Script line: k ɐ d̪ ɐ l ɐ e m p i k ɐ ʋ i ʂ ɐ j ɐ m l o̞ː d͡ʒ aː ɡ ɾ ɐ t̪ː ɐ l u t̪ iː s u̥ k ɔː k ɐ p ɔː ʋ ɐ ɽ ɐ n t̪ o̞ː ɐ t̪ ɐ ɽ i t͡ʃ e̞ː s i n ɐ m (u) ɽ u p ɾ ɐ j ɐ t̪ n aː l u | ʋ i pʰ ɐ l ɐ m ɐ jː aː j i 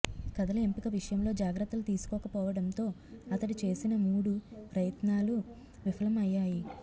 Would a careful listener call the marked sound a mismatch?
yes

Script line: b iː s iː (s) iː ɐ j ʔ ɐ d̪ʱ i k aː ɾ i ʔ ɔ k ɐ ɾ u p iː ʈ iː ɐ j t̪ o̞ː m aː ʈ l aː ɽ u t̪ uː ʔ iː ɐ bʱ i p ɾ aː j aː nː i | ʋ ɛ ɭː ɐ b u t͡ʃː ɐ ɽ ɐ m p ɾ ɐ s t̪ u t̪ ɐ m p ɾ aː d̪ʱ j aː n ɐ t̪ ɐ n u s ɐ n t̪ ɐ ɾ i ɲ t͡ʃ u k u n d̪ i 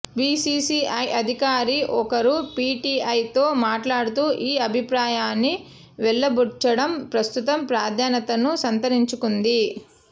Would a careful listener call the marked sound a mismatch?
no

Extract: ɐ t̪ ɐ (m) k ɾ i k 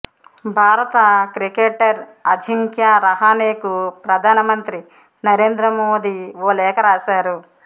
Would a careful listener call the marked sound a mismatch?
yes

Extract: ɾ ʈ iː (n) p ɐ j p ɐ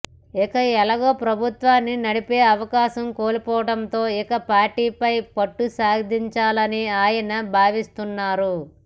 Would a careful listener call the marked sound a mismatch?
yes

